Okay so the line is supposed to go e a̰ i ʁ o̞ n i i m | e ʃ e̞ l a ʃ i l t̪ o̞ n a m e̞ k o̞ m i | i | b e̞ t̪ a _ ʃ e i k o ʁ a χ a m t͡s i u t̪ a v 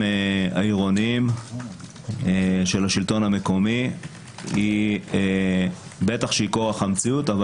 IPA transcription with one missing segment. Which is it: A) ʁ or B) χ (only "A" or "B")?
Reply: B